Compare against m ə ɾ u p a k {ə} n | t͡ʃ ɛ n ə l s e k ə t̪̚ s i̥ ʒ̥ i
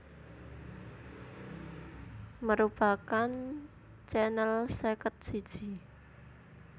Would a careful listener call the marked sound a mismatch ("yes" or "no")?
yes